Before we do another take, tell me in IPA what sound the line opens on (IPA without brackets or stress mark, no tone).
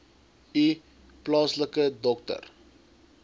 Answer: i